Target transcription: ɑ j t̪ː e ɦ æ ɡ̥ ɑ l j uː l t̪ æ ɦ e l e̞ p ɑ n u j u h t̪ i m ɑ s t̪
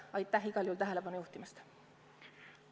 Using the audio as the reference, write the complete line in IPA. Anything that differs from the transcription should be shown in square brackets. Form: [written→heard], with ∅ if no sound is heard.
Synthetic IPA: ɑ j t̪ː [e→æ] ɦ [æ→i] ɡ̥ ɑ l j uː l t̪ æ ɦ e l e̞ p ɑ n u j u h t̪ i m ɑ s t̪